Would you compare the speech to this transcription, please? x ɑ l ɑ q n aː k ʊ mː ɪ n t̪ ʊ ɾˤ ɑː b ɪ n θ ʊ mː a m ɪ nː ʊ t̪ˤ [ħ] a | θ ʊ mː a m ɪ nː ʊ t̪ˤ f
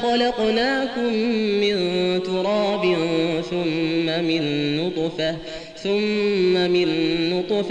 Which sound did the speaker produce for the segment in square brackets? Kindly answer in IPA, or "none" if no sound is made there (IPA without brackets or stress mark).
f